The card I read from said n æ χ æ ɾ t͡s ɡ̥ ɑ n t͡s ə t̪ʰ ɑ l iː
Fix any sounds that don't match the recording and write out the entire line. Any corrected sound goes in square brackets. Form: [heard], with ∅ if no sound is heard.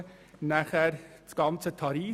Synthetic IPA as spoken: n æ χ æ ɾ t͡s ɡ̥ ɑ n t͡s ə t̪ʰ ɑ [ɾ] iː